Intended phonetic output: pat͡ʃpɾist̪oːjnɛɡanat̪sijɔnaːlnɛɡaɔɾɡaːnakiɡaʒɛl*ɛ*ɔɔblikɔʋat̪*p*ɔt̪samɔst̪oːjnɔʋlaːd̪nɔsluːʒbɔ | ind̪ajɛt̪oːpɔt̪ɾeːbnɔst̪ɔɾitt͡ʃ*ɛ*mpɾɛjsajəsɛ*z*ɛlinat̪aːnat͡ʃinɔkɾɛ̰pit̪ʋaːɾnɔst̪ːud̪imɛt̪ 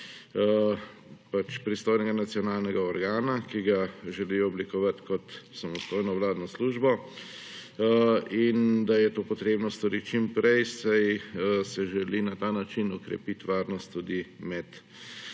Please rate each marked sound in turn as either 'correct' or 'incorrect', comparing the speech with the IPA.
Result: incorrect, incorrect, incorrect, incorrect

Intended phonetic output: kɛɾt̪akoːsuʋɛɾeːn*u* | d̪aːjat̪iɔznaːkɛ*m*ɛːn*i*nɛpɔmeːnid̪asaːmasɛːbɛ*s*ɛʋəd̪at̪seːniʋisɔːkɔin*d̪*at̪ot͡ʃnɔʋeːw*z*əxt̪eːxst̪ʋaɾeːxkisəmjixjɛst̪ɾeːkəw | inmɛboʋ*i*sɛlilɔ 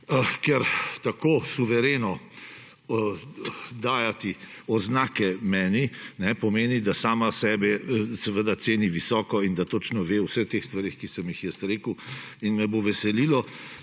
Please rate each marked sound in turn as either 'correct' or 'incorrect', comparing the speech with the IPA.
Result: incorrect, correct, correct, correct, correct, incorrect, incorrect

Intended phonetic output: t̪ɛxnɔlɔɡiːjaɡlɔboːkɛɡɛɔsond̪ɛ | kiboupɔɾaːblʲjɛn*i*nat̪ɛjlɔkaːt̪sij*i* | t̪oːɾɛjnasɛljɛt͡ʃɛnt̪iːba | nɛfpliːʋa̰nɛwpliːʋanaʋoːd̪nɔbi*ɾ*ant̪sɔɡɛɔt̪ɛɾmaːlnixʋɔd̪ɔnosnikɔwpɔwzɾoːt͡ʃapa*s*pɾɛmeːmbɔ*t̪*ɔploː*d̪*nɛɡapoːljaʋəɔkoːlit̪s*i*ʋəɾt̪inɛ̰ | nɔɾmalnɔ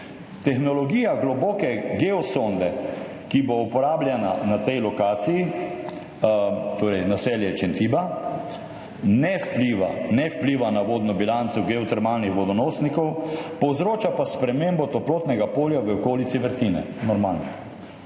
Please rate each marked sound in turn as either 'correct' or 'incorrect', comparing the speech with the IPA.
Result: incorrect, correct, incorrect, correct, correct, incorrect, correct

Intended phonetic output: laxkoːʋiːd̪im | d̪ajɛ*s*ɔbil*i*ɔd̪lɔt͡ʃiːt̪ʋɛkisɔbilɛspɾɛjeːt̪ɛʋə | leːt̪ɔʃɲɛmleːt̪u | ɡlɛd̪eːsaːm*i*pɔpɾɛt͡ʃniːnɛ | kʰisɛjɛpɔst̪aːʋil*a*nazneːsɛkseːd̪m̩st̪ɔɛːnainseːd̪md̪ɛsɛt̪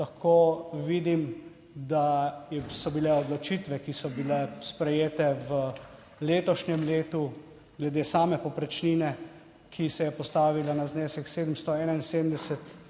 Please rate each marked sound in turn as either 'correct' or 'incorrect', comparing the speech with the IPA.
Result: correct, incorrect, incorrect, correct

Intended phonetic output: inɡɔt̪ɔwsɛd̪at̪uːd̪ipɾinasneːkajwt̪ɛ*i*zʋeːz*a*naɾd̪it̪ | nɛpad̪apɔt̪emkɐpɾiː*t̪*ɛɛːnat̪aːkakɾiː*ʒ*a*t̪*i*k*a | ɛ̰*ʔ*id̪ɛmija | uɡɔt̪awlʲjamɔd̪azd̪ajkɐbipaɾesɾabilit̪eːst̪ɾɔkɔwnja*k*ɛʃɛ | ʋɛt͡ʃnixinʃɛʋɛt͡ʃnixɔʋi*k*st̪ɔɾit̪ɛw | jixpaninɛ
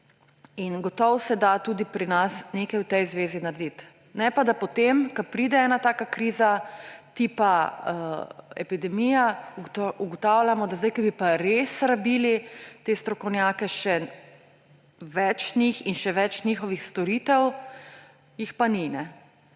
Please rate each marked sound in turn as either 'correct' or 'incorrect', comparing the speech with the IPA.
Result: incorrect, incorrect, incorrect, incorrect, correct, incorrect, incorrect, correct, incorrect

